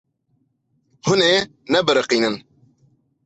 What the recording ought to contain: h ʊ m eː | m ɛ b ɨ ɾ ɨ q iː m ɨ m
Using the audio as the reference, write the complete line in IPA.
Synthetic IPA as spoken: h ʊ n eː | n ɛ b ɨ ɾ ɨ q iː n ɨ n